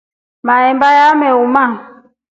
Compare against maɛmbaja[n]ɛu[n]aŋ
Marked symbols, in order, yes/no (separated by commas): no, no